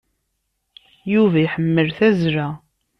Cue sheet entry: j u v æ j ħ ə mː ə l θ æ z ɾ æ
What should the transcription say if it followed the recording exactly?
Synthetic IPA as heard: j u v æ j ħ ə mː ə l θ æ z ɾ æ